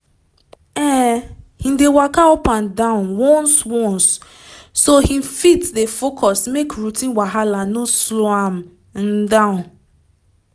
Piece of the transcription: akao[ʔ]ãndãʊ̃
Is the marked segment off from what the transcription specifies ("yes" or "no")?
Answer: yes